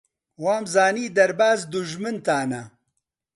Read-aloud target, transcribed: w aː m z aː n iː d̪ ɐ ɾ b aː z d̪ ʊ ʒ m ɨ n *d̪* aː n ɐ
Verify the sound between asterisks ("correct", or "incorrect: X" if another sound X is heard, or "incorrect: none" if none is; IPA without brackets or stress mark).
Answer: incorrect: t̪